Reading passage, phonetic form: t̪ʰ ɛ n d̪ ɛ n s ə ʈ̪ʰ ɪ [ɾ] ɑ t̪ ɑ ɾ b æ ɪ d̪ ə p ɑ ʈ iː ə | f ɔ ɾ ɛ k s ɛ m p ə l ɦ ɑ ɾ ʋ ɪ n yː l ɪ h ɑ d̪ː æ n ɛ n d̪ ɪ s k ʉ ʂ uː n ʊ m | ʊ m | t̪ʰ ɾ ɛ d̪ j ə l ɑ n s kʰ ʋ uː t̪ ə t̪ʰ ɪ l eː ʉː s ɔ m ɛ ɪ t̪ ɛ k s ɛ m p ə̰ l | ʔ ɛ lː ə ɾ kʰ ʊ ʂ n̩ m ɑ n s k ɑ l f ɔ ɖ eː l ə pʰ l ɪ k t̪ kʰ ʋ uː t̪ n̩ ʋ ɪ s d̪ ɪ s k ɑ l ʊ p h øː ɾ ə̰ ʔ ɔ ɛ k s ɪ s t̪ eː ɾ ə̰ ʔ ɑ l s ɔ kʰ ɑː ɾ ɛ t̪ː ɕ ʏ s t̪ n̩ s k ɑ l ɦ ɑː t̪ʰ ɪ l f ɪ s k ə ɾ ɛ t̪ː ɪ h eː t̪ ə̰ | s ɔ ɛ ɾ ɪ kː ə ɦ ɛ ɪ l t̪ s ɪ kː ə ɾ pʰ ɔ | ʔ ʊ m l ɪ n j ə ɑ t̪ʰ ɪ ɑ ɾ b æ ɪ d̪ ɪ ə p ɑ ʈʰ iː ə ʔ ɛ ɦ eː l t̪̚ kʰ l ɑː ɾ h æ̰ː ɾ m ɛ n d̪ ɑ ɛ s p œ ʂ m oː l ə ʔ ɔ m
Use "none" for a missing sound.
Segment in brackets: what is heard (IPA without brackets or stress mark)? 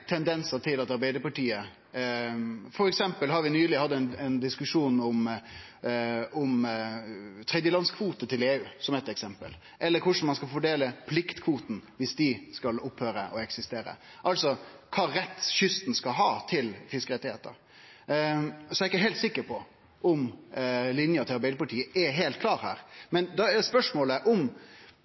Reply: l